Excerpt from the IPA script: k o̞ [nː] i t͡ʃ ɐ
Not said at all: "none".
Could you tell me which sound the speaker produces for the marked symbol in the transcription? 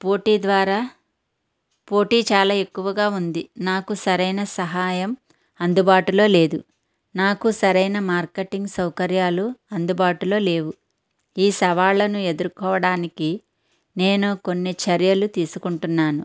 nː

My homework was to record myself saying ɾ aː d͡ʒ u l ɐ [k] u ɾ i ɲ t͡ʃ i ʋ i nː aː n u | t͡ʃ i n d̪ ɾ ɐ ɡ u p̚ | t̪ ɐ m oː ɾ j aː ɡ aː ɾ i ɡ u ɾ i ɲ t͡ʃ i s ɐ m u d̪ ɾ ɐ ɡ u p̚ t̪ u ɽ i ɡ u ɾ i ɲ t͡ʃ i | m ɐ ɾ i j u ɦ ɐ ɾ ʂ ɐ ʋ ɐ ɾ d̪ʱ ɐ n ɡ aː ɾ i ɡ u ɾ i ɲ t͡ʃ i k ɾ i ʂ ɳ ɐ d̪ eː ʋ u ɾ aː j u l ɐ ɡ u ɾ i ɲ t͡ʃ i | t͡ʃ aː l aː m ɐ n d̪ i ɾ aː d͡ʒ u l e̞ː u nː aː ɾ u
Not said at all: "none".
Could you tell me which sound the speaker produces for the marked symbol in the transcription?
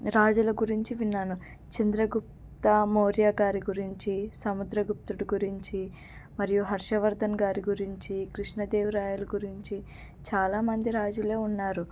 ɡ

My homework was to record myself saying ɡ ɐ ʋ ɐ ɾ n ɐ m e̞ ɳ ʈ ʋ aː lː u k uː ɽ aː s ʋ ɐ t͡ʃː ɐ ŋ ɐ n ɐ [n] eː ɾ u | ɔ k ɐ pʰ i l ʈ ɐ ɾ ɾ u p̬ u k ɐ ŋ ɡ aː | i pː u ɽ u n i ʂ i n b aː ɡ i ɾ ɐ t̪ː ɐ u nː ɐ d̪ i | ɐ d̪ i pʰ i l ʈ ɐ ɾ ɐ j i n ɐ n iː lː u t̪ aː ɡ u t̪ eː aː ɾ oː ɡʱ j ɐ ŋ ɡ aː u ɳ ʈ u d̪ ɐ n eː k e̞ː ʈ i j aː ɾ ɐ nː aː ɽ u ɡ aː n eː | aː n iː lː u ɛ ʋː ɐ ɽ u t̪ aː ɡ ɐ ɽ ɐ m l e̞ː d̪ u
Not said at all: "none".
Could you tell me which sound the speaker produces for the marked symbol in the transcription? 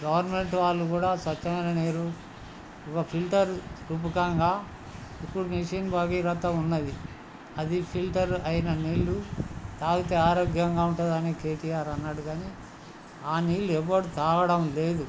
n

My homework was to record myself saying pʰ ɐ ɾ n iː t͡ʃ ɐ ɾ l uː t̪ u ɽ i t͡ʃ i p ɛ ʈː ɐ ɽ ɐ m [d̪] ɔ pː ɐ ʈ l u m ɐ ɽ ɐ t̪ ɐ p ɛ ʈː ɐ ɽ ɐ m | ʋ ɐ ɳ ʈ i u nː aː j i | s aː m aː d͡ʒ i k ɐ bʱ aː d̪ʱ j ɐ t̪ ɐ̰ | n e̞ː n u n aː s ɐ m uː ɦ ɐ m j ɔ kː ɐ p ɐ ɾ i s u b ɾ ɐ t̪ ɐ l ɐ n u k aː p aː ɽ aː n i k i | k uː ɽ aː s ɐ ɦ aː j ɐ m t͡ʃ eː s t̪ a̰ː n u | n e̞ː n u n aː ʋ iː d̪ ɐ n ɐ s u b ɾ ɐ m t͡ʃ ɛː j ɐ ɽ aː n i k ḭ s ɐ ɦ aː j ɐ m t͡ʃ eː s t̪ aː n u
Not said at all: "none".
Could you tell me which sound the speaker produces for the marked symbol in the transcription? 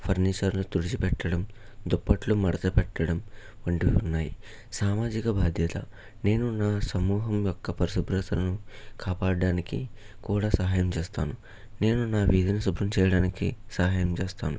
d̪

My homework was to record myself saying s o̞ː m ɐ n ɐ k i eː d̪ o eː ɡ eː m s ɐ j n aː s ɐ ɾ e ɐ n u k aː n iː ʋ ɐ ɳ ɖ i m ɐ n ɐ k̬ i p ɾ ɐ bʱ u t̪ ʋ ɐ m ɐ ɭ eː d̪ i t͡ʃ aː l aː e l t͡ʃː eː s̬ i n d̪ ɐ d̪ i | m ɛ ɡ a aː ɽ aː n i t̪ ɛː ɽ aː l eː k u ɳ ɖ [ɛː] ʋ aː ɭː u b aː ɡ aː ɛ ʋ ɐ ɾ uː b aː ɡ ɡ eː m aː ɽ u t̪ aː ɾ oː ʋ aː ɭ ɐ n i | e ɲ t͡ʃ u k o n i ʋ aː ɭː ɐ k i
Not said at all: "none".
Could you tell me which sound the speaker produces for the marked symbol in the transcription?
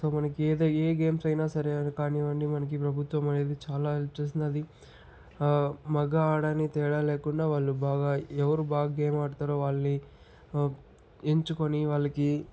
aː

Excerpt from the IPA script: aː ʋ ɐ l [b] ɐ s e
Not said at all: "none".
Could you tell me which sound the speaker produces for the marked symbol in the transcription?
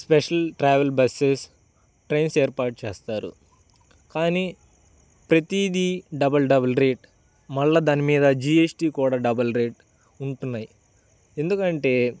b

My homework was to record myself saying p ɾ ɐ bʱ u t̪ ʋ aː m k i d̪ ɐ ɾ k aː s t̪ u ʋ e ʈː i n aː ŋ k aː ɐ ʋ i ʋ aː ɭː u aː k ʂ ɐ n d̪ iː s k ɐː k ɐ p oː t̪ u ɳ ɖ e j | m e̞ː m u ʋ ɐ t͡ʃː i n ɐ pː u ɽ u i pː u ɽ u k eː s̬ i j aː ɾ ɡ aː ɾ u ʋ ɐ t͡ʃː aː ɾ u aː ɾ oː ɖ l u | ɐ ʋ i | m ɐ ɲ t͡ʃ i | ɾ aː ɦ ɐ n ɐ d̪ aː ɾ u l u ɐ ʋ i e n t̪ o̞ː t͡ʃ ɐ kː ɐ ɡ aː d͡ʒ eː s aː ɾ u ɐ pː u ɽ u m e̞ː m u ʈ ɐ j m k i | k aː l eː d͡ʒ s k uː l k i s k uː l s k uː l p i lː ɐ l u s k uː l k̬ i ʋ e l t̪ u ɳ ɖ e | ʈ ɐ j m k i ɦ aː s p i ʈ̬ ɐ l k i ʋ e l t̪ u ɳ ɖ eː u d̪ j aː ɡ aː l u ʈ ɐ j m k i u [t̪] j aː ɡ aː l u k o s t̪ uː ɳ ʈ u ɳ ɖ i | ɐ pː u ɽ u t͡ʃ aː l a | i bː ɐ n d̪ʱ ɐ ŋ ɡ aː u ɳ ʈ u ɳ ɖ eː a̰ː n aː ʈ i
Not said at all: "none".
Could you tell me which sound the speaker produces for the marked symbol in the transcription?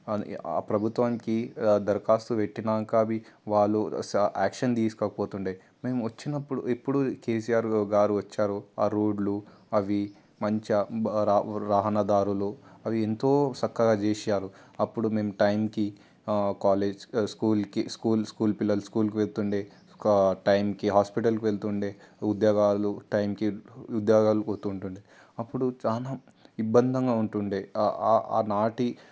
d̪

